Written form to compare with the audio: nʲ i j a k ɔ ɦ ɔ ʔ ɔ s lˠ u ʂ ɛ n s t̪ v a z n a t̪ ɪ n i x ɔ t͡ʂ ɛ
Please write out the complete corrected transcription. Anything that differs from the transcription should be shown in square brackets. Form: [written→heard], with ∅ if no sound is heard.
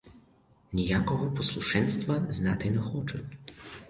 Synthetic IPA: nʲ i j a k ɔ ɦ ɔ [ʔ→p] ɔ s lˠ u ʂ ɛ n s t̪ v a z n a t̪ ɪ n [i→ɛ] x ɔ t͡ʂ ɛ